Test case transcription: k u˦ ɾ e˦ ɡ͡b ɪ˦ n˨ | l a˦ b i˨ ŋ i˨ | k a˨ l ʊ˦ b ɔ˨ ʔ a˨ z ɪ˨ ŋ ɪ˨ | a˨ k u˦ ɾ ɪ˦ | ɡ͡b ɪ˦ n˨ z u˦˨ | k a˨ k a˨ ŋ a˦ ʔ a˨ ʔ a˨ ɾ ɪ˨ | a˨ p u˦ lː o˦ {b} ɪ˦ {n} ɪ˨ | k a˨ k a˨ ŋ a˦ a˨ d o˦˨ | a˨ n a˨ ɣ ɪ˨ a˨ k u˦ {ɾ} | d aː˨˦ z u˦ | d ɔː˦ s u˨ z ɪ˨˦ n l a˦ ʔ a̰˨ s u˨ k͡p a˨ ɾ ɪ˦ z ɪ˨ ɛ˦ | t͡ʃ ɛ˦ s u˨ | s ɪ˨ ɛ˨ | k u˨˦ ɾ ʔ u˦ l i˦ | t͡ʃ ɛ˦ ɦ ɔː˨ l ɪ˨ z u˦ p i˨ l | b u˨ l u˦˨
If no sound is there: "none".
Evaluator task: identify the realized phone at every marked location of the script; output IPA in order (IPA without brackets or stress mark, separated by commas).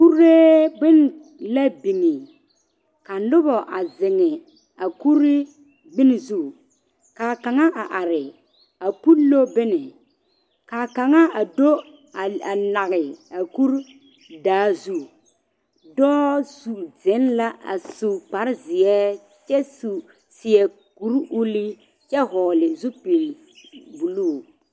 b, n, ɾ